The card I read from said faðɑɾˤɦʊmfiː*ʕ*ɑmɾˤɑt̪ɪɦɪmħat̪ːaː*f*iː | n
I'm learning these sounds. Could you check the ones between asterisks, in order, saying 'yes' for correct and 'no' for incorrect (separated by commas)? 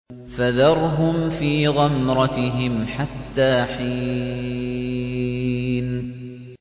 no, no